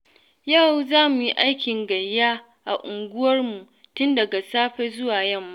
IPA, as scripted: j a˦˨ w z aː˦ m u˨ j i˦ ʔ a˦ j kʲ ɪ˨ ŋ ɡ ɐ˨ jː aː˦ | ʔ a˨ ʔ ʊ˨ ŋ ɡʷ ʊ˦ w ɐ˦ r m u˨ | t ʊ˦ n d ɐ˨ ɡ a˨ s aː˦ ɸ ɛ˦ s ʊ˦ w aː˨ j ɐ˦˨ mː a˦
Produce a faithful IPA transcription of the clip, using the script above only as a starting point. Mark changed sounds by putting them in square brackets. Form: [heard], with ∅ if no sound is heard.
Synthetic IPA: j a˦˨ w z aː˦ m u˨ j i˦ ʔ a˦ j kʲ ɪ˨ ŋ ɡ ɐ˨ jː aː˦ | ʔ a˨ ʔ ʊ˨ ŋ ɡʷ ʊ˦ w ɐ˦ r m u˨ | t ʊ˦ n d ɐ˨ ɡ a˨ s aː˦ ɸ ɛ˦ [z] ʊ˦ w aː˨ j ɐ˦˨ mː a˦